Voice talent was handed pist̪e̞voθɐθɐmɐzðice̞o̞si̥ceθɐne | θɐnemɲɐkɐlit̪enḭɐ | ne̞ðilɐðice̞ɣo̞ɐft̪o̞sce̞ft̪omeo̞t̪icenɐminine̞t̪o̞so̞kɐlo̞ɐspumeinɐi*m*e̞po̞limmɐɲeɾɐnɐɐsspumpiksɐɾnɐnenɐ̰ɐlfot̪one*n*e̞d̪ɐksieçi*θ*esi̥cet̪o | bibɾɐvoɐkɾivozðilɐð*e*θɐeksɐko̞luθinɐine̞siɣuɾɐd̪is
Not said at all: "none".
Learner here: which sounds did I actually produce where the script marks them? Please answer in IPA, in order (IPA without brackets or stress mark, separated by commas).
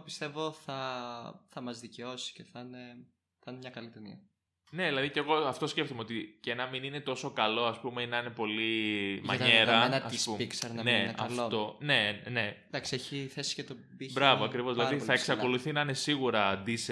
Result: n, n, θ, i